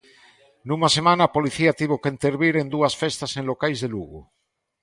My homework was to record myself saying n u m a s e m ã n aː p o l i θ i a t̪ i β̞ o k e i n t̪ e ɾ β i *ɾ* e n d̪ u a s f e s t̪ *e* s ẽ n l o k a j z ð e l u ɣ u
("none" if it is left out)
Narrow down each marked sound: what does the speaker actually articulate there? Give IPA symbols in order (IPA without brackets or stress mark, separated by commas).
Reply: ɾ, a